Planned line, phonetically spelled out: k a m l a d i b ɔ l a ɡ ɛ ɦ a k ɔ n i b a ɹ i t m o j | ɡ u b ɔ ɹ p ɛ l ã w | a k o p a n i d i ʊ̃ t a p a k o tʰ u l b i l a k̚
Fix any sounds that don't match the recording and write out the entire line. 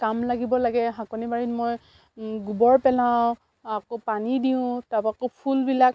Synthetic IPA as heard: k a m l a ɡ i b ɔ l a ɡ ɛ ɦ a k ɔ n i b a ɹ i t m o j | ɡ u b ɔ ɹ p ɛ l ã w | a k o p a n i d i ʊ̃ t a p a k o pʰ u l b i l a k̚